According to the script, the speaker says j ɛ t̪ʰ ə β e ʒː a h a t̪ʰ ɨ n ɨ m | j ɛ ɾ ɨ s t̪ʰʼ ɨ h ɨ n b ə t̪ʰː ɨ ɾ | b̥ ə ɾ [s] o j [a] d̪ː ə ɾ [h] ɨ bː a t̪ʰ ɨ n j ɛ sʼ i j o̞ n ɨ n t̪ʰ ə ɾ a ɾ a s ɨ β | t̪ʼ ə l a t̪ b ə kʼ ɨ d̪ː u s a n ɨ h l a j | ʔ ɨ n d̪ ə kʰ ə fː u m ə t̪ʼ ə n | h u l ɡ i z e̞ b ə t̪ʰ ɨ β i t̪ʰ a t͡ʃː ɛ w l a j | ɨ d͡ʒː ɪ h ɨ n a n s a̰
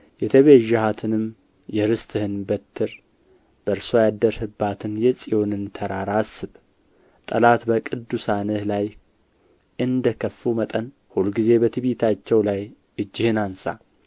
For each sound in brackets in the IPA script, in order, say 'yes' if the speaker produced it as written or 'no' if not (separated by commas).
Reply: yes, yes, yes